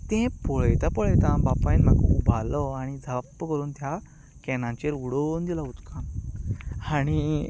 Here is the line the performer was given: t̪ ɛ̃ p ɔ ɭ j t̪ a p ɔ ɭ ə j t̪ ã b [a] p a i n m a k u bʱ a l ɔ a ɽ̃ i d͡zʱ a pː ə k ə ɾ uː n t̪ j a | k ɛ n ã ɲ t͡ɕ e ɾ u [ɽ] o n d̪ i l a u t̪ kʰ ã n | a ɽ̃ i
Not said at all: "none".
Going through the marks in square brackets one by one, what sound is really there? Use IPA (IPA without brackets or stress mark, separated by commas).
a, ɽ